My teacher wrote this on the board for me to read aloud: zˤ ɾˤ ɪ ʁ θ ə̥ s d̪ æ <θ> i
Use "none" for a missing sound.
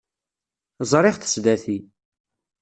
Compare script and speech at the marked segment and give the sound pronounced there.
θ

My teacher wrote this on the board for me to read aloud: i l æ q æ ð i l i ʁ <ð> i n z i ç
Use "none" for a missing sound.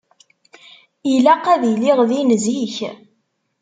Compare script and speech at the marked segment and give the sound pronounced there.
ð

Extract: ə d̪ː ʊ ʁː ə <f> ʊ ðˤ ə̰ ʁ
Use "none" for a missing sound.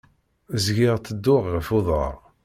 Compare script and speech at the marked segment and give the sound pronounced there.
f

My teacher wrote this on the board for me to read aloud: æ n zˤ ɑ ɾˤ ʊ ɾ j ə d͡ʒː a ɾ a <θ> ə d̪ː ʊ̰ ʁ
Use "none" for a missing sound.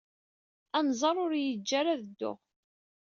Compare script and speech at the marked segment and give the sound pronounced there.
ð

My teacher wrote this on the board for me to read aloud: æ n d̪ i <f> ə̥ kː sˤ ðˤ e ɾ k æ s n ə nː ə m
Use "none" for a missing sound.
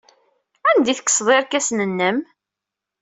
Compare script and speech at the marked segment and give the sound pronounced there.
θ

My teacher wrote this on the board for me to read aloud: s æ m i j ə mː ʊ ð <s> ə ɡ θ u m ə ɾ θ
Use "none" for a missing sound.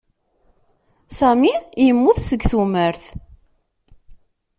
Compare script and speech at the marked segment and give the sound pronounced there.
s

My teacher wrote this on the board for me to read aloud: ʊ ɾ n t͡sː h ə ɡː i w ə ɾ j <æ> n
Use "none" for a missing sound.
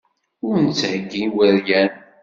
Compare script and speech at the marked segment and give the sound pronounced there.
æ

